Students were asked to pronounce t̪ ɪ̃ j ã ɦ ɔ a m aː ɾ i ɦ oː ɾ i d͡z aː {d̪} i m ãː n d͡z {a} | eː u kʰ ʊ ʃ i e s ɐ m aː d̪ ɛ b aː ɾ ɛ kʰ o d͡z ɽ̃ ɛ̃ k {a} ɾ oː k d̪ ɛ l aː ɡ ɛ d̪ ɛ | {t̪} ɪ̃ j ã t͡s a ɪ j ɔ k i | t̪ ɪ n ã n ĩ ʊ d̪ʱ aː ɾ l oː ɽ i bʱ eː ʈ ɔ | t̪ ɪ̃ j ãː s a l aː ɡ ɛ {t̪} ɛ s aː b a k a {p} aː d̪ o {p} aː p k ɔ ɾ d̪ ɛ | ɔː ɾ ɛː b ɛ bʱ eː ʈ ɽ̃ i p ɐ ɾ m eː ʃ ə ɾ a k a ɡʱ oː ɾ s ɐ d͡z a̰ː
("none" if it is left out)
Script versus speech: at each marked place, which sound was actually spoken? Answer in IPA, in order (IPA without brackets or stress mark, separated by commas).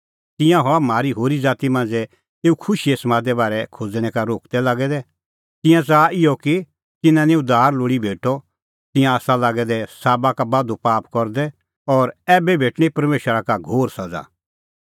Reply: t̪, ɛ, a, t̪, d̪, b, p